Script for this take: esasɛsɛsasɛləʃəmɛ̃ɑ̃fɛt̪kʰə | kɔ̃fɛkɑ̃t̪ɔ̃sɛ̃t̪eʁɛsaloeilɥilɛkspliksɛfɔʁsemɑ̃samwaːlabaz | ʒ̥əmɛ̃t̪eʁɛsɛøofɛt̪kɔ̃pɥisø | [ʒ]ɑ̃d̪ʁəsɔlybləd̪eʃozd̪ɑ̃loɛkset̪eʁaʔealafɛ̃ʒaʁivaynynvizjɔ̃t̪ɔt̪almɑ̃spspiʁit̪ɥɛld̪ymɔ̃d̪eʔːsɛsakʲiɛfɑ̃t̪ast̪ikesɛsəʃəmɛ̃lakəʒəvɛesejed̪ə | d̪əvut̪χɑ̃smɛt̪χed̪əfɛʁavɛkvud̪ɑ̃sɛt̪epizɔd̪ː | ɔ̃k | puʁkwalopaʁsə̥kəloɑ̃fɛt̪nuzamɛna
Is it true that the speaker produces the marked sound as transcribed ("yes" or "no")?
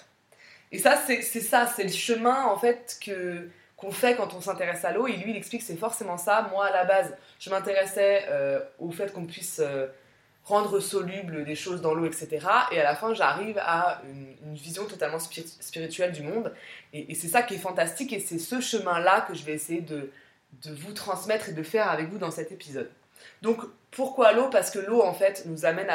no